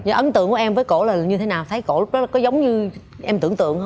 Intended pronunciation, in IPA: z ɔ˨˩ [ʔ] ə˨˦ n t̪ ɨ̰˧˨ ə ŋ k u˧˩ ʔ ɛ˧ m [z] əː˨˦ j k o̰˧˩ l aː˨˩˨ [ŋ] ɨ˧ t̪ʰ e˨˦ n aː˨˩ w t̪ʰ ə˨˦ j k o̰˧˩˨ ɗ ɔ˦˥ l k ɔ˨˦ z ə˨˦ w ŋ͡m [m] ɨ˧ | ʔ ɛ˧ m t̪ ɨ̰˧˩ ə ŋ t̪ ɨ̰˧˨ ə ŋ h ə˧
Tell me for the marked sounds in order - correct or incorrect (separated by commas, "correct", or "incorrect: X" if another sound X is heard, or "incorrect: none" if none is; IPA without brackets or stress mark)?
correct, incorrect: v, incorrect: ɲ, incorrect: ɲ